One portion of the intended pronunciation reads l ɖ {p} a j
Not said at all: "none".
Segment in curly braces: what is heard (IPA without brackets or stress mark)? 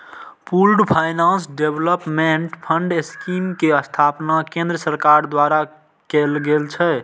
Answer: pʰ